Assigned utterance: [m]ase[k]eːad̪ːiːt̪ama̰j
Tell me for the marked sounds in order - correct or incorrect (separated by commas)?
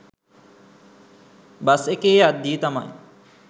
incorrect, correct